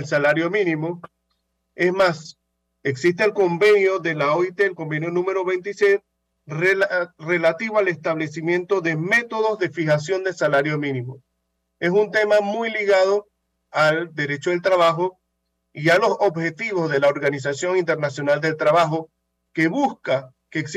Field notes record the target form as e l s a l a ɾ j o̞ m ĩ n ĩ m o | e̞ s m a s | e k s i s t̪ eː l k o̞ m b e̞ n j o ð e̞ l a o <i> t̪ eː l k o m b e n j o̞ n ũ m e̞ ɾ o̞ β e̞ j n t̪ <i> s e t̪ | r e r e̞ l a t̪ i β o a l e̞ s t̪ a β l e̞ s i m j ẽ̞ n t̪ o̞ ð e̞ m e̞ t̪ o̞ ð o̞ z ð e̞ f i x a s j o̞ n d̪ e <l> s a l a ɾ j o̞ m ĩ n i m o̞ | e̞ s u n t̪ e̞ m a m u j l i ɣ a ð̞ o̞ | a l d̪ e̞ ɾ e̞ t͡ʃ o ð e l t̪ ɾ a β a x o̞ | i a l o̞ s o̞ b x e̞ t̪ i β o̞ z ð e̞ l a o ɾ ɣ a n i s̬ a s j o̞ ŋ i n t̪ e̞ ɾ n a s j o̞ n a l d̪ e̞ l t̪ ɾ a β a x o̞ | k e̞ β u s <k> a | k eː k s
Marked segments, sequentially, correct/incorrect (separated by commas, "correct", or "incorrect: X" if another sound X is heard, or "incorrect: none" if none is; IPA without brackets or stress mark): correct, correct, correct, correct